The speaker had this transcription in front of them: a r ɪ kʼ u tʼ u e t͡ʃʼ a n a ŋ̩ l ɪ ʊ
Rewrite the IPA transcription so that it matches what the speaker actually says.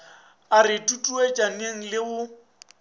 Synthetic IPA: a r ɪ tʼ u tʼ u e t͡ʃʼ a n e ŋ̩ l ɪ ʊ